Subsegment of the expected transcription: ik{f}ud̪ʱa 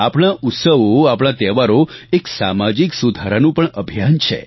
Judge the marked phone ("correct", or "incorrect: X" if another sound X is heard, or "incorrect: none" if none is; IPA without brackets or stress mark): incorrect: s